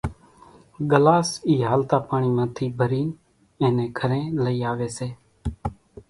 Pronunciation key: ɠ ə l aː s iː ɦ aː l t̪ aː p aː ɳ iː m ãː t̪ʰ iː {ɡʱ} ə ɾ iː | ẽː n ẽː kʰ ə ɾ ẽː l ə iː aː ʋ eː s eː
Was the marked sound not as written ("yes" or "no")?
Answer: yes